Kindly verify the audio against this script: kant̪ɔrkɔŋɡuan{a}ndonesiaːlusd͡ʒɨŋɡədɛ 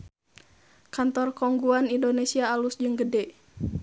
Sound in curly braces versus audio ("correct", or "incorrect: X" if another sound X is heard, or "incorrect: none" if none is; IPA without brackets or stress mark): incorrect: i